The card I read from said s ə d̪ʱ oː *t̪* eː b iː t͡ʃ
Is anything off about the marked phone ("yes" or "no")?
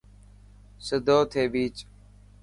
yes